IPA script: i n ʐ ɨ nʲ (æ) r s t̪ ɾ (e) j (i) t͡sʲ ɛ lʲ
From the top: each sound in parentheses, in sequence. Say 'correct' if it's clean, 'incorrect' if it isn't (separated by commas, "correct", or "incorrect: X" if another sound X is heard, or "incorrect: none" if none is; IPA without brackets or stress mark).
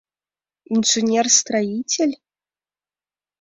incorrect: ɛ, incorrect: a, correct